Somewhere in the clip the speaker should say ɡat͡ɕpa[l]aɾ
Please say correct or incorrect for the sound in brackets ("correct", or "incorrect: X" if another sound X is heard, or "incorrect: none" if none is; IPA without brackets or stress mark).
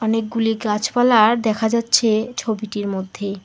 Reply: correct